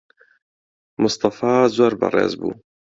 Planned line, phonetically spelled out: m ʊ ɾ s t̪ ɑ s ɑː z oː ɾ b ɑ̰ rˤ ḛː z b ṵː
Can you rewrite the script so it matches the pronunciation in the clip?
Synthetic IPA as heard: m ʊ s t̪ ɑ f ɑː z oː ɾ b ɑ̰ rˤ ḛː z b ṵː